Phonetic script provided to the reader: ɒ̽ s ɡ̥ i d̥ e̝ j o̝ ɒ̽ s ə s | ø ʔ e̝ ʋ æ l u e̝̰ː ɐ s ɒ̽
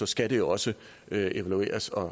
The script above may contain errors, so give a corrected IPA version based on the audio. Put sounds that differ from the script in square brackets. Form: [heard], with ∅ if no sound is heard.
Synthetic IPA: ɒ̽ s ɡ̥ [æ] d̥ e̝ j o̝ ɒ̽ s ə [∅] | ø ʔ e̝ ʋ æ l u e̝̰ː ɐ s ɒ̽